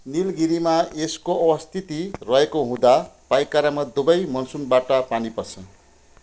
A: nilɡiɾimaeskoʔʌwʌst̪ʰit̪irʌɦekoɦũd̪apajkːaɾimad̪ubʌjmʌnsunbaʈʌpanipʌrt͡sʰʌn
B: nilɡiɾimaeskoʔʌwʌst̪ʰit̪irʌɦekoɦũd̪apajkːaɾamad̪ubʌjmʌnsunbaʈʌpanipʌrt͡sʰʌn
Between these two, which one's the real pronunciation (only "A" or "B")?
B